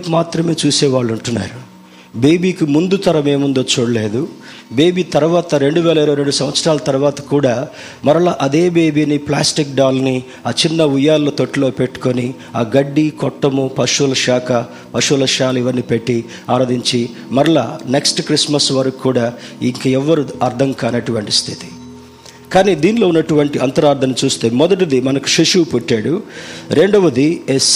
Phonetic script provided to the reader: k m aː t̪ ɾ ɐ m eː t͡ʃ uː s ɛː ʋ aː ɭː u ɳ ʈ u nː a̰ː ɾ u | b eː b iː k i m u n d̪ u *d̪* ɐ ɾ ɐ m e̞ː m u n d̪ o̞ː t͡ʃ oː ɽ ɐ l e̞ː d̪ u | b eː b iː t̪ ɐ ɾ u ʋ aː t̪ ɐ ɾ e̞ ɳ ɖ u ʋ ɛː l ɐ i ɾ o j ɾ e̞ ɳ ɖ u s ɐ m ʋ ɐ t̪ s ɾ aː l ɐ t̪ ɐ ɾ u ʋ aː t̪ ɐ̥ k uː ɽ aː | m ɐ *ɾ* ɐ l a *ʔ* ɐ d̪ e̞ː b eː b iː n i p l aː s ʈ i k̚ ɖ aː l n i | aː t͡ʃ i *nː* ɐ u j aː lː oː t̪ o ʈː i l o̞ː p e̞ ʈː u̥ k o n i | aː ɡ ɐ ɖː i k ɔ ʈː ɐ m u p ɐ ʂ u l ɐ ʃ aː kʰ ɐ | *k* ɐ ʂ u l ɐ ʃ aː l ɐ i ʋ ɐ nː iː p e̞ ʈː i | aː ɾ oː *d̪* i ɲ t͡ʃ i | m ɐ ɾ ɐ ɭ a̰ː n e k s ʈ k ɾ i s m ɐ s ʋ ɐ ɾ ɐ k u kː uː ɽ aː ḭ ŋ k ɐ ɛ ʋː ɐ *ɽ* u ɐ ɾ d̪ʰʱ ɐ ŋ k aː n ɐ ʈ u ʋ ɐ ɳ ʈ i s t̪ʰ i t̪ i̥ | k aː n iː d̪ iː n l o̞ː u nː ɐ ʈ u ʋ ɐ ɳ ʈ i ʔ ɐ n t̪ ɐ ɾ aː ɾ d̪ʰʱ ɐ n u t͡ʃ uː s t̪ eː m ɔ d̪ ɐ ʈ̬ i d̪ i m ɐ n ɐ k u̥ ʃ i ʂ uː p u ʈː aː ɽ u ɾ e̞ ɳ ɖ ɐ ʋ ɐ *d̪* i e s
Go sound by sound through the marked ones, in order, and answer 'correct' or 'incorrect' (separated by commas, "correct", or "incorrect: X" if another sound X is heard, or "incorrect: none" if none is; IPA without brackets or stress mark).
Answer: incorrect: t̪, correct, correct, correct, incorrect: p, correct, incorrect: ɾ, correct